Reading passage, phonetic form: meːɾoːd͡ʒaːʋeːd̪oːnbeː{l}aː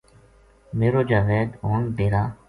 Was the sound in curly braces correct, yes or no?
no